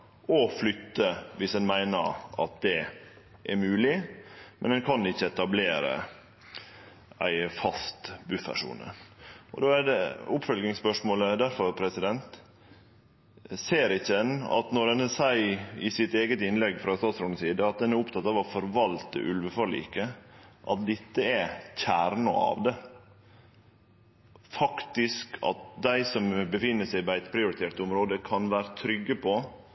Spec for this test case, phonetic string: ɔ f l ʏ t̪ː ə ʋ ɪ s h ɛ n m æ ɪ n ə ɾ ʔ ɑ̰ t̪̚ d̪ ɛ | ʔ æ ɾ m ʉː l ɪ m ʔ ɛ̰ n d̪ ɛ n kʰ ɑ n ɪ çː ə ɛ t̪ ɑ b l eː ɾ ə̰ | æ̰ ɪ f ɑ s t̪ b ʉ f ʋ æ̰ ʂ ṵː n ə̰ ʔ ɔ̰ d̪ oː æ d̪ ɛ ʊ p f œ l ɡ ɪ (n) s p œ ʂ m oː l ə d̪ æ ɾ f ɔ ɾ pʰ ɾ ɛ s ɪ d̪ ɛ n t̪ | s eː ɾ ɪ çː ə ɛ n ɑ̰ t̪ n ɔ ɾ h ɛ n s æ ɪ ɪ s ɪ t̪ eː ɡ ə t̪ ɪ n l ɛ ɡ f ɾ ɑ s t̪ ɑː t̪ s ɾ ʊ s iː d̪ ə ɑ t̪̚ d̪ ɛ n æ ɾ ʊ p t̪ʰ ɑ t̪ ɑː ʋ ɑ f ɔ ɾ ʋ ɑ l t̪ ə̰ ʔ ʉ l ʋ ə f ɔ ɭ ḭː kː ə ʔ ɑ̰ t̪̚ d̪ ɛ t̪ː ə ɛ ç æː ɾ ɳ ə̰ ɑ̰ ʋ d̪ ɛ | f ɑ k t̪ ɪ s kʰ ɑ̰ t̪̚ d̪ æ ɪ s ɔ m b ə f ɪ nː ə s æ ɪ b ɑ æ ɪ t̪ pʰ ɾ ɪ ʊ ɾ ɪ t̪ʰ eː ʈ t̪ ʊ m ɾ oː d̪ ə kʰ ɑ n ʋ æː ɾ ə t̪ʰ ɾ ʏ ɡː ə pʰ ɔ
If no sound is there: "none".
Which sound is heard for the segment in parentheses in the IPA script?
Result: ŋ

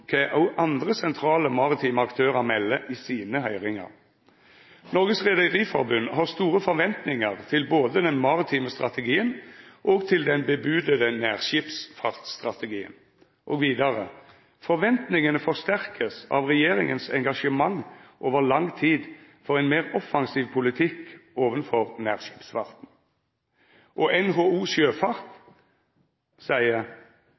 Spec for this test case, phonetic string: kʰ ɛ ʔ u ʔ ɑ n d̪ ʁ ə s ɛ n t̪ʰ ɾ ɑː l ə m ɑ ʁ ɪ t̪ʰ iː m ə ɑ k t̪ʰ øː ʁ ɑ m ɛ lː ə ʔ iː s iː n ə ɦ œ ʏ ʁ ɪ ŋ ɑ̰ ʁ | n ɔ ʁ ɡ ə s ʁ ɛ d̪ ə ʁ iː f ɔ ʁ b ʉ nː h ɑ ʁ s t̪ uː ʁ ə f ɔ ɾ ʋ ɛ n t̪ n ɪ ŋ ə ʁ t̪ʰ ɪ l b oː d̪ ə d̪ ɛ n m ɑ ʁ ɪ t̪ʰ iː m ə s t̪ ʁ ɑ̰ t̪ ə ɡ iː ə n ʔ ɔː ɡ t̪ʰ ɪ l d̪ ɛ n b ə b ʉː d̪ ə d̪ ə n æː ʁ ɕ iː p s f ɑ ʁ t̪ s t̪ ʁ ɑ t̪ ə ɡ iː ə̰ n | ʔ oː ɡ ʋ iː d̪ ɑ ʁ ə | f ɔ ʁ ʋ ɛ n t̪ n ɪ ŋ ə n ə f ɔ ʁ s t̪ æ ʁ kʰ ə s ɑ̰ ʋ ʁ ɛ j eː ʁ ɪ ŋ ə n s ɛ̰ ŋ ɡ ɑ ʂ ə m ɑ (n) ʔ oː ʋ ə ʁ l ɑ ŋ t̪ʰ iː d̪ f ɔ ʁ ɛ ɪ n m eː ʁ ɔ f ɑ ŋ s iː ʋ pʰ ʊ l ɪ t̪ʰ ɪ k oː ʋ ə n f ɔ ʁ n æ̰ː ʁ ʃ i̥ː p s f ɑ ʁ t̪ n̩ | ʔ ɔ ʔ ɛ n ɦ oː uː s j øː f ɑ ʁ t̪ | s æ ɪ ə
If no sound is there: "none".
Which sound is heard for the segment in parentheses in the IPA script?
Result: ŋ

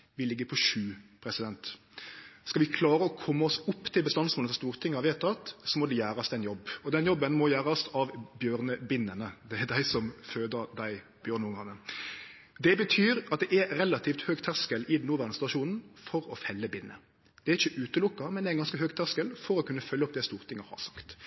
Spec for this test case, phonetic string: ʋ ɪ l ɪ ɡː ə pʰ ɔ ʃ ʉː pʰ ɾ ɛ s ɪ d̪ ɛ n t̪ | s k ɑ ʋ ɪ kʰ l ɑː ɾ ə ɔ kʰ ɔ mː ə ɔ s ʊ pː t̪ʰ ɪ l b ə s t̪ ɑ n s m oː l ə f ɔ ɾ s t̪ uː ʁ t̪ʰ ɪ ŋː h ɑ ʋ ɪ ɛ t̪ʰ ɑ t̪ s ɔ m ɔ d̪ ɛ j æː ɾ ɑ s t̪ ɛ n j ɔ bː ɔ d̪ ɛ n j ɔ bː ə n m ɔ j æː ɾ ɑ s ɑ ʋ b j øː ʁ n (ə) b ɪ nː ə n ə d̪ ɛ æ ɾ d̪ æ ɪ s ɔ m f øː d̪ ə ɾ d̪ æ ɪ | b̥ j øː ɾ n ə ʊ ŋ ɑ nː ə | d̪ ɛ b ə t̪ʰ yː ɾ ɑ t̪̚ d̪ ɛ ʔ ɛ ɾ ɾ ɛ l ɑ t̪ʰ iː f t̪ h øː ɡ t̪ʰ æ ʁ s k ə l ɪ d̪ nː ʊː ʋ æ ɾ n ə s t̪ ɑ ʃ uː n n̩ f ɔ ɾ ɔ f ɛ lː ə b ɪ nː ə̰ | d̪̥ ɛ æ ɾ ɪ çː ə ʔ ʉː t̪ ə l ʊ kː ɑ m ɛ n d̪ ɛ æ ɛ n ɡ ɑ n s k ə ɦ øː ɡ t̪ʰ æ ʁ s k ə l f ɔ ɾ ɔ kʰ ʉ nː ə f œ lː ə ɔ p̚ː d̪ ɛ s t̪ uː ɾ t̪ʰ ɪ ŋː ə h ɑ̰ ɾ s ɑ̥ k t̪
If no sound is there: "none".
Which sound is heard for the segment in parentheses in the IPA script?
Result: ə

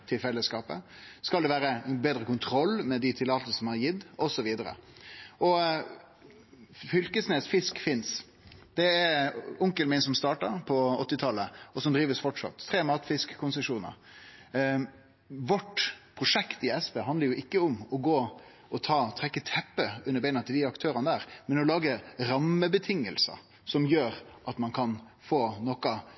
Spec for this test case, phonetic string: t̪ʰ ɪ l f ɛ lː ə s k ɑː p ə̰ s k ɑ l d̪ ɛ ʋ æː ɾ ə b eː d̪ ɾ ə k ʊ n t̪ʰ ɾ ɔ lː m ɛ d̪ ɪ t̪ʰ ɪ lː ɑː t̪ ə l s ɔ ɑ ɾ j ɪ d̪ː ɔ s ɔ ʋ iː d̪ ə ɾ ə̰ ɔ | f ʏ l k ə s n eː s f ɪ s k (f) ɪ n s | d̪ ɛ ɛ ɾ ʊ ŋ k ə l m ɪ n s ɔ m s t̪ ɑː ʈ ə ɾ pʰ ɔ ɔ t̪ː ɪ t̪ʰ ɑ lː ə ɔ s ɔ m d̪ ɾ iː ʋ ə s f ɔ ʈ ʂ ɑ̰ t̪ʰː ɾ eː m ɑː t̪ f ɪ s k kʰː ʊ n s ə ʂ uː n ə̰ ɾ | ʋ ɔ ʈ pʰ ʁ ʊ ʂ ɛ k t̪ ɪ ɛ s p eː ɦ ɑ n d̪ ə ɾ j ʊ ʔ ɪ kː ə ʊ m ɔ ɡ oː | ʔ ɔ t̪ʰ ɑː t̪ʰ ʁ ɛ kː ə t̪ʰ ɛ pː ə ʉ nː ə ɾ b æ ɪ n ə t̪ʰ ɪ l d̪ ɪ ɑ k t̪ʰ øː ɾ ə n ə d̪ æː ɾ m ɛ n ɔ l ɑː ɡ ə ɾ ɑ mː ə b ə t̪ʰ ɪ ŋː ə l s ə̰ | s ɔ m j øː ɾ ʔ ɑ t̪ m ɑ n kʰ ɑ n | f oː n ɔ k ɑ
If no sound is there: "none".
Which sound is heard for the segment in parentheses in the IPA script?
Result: f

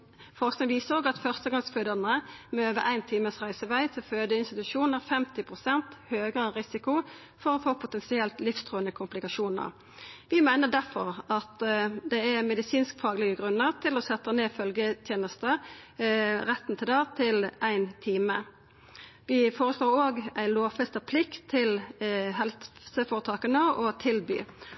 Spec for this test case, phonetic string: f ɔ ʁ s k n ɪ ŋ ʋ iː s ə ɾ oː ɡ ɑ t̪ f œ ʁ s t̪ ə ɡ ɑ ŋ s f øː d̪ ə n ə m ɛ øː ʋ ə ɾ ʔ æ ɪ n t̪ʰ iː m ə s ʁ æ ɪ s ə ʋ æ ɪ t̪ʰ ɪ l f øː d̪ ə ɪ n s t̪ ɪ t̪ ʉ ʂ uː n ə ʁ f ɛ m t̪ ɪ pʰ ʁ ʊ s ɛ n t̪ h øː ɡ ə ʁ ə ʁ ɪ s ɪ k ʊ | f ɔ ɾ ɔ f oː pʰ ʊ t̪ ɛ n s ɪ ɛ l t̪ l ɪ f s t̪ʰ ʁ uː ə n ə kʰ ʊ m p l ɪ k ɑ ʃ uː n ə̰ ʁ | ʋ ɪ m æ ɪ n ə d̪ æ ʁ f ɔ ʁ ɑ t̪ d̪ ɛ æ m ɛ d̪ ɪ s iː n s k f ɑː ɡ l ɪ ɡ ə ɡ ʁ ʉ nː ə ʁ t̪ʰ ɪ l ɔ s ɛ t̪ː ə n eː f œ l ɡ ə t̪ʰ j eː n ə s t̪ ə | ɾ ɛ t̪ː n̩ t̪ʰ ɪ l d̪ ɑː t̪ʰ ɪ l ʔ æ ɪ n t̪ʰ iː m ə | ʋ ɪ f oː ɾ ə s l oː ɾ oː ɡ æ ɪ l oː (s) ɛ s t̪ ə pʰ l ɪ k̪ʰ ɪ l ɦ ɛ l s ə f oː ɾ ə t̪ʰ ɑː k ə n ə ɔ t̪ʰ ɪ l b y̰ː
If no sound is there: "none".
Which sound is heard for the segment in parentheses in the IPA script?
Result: f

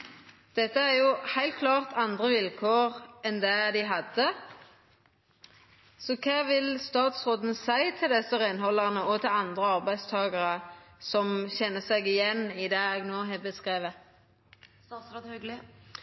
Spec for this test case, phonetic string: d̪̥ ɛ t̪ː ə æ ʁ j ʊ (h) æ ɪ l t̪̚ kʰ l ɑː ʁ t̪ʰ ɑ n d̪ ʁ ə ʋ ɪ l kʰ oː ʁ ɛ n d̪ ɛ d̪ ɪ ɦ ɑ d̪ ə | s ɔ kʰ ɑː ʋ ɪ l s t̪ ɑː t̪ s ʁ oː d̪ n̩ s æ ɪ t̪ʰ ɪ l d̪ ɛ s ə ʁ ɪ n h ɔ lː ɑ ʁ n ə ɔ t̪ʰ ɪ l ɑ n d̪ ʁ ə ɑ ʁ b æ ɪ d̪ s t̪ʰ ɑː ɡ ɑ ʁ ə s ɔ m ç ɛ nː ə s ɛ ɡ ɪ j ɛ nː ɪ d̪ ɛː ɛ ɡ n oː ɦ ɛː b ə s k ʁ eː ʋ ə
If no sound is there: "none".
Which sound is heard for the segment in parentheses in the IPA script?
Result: h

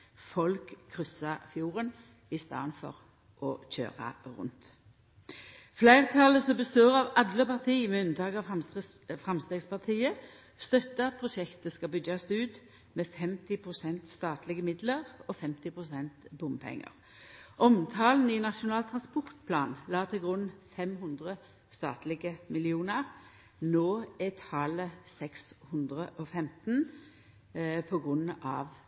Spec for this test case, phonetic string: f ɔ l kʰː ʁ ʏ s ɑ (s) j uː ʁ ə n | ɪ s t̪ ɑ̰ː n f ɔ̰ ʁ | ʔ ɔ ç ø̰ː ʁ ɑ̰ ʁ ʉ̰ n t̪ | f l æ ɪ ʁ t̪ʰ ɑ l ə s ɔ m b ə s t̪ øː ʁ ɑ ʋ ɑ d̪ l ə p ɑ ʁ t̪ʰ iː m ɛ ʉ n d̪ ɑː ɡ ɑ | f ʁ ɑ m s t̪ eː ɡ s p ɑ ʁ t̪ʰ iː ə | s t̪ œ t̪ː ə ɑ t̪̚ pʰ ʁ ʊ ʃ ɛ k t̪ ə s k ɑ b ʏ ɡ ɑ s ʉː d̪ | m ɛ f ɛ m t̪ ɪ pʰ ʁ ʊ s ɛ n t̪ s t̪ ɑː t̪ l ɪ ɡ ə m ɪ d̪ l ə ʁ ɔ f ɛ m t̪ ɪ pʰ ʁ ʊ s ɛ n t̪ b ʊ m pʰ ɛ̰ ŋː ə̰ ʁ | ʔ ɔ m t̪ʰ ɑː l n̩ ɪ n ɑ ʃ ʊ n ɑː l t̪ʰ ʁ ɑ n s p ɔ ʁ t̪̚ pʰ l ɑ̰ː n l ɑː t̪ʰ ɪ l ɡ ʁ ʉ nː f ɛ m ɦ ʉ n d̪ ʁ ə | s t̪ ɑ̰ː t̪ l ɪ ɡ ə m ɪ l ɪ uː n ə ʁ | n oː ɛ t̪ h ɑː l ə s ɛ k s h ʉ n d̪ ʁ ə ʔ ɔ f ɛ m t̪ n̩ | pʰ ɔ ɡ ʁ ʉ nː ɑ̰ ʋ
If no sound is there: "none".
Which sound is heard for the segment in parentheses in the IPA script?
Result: f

